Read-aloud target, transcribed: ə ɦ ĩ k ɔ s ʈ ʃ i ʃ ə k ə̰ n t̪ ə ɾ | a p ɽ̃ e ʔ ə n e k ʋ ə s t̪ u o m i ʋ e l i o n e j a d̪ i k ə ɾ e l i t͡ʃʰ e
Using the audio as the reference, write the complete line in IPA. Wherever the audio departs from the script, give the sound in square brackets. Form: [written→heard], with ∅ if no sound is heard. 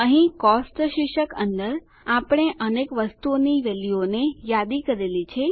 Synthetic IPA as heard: ə ɦ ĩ k ɔ s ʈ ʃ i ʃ ə k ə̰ n [t̪→d̪] ə ɾ | a p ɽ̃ e ʔ ə n e k ʋ ə s t̪ u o [m→n] i ʋ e l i o n e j a d̪ i k ə ɾ e l i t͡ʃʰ e